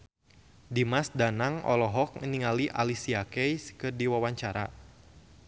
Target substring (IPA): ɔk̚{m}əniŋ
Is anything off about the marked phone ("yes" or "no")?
yes